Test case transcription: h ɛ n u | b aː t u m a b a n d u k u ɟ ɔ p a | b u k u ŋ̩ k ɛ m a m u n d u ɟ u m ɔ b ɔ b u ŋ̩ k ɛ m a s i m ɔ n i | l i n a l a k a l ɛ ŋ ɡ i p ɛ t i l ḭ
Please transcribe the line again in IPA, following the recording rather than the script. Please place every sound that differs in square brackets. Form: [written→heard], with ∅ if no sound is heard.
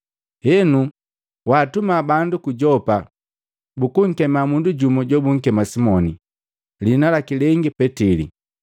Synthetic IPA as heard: h ɛ n u | [b→w] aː t u m a b a n d u k u ɟ ɔ p a | b u k u ŋ̩ k ɛ m a m u n d u ɟ u m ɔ [b→ɟ] ɔ b u ŋ̩ k ɛ m a s i m ɔ n i | l i n a l a k [a→i] l ɛ ŋ ɡ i p ɛ t i l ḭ